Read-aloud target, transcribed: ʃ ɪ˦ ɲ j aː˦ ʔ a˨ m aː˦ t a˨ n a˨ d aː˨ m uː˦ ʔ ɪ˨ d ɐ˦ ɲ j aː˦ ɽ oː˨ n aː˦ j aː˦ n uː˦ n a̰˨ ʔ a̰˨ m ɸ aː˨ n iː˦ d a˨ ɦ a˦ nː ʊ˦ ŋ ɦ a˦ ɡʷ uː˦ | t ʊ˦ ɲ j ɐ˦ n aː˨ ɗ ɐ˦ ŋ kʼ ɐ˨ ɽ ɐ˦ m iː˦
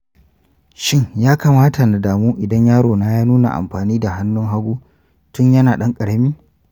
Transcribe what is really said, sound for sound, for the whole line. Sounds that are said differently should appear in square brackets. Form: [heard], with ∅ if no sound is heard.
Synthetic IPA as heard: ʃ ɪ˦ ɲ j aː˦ [k] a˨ m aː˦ t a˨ n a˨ d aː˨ m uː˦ ʔ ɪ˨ d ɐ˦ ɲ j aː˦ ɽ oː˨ n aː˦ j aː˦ n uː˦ n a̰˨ ʔ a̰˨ m ɸ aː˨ n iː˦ d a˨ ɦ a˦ nː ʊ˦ ŋ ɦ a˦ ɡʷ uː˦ | t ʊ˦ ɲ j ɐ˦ n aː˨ ɗ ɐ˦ ŋ kʼ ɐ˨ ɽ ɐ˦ m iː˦